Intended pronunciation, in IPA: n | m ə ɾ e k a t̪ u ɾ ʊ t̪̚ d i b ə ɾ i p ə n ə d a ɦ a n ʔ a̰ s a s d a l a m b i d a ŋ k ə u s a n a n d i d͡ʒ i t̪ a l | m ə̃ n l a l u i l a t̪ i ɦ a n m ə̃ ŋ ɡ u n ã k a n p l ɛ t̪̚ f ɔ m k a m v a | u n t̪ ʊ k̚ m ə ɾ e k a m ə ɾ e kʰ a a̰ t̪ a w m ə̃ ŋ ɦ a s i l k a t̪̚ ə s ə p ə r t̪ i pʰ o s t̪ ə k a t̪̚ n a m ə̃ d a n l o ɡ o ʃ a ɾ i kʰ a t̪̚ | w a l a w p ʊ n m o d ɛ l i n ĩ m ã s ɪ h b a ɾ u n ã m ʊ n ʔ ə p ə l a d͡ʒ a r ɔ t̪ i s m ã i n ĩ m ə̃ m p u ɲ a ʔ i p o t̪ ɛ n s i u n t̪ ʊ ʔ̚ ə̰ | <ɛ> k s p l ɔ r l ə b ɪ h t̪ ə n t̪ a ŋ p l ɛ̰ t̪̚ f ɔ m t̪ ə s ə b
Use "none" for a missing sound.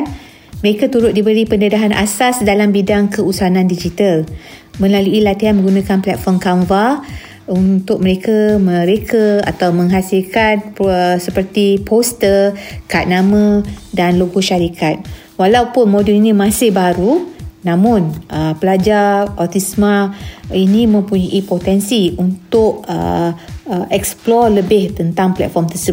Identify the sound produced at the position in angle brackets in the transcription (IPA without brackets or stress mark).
ɛ